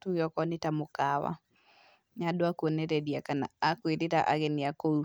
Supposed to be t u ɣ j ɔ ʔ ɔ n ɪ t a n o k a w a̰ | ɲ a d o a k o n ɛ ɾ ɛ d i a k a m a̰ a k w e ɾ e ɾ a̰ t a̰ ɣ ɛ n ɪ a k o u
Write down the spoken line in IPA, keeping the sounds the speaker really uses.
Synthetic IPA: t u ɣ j ɔ k ɔ n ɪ t a m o k a w a̰ | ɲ a d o a k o n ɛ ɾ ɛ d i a k a n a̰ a k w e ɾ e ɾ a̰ ʔ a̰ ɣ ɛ n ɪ a k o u

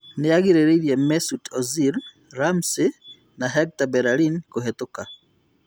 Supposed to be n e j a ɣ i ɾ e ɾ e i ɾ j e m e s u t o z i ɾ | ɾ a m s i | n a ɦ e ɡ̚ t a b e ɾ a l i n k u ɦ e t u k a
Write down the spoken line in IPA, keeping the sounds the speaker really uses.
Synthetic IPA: n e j a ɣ i ɾ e ɾ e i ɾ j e m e s u t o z i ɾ | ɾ a m s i | n a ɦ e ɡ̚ t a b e ɾ a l i n k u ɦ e t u k a

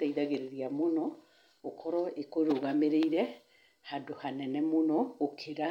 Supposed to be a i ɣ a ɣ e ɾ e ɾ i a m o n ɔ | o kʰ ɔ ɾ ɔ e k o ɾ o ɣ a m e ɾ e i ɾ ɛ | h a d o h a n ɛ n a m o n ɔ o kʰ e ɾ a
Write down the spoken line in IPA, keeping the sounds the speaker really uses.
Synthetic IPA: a i ð a ɣ e ɾ e ɾ i a m o n ɔ | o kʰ ɔ ɾ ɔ e k o ɾ o ɣ a m e ɾ e i ɾ ɛ | h a d o h a n ɛ n ɛ m o n ɔ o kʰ e ɾ a

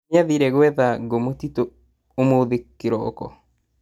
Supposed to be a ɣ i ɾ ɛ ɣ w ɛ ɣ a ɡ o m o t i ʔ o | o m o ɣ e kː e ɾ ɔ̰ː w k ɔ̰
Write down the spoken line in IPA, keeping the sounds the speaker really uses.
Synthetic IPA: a ð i ɾ ɛ ɣ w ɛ ð a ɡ o m o t i t o | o m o ð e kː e ɾ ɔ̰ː k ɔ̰

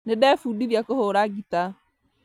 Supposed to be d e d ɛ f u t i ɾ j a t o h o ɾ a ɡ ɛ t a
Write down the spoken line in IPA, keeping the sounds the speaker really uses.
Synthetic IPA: n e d ɛ f u d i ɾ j a k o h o ɾ a ɡ i t a

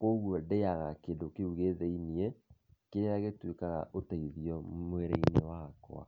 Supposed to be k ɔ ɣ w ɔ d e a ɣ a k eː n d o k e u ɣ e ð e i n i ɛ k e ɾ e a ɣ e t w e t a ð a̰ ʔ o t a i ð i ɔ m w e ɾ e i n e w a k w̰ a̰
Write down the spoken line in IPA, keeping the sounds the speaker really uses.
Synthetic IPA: k o ɣ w ɔ d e a ɣ a k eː n d o k e u ɣ e ð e i n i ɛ k e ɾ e a ɣ e t w e k a ɣ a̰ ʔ o t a i ð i ɔ m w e ɾ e i n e w a k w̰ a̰

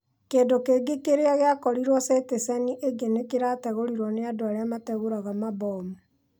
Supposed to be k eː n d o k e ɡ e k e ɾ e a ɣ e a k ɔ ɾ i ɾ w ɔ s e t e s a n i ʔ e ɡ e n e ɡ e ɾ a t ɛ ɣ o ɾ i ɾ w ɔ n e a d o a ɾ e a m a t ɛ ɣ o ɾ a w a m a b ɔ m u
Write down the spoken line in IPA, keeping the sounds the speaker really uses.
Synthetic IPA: k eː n d o k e ɡ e k e ɾ e a ɣ e a k ɔ ɾ i ɾ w ɔ s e t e s a n i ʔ e ɡ e n e k e ɾ a t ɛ ɣ o ɾ i ɾ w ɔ n e a d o a ɾ e a m a t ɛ ɣ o ɾ a ɣ a m a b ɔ m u

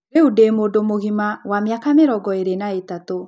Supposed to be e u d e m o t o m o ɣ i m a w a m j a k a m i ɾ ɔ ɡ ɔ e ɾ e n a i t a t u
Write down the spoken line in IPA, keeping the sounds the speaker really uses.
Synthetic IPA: e u d e m o d o m o ɣ i m a w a m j a k a m e ɾ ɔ ɡ ɔ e ɾ e n a e t a t o

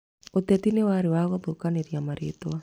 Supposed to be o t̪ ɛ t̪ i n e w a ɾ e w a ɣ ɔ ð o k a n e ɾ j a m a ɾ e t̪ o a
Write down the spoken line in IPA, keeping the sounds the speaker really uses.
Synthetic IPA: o t̪ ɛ t̪ i n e w a ɾ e w a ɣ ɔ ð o k a n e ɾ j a m a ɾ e t̪ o a

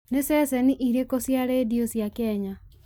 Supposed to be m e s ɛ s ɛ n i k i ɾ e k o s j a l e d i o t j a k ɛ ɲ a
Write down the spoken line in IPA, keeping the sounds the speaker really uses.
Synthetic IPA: n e s ɛ s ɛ n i ʔ i ɾ e k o s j a ɾ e d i o s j a k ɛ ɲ a

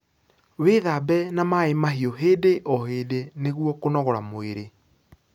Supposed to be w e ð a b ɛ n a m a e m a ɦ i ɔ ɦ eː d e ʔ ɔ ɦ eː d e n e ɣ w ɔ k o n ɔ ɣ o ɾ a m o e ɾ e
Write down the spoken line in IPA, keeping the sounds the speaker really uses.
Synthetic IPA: w e ð a b ɛ n a m a e m a ɦ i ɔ ɦ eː d e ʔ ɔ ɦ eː d e n e ɣ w ɔ k o n ɔ ɣ ɔ ɾ a m o e ɾ e

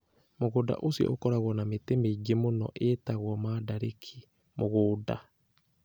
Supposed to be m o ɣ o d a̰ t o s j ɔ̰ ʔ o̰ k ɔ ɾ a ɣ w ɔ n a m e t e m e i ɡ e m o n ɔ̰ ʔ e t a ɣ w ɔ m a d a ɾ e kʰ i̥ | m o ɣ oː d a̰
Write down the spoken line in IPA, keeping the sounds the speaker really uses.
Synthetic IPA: m o ɣ o d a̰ ʔ o s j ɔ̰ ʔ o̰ k ɔ ɾ a ɣ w ɔ n a m e t e m e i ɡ e m o n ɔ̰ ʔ e t a ɣ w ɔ m a d a ɾ e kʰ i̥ | m o ɣ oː d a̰

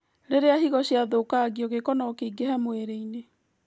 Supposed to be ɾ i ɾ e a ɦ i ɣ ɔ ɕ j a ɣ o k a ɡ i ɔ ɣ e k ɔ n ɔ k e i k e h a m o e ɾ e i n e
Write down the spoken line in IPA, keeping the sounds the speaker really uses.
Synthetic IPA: ɾ e ɾ e a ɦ i ɣ ɔ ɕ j a ð o k a ɡ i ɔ ɣ e k ɔ n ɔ k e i ɡ e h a m o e ɾ e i n e

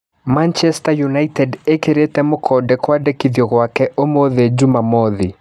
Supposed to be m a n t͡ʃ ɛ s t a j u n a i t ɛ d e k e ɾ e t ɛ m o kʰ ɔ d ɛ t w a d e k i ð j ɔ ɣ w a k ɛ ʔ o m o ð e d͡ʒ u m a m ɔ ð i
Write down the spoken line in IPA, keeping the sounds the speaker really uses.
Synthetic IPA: m a n t͡ʃ ɛ s t a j u n a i t ɛ d e k e ɾ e t ɛ m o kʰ ɔ d ɛ k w a d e k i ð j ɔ ɣ w a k ɛ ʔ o m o ð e d͡ʒ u m a m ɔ ð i

